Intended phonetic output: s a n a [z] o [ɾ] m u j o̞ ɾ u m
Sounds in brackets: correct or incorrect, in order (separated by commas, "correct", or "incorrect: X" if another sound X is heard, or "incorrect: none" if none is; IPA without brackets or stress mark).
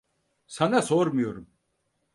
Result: incorrect: s, correct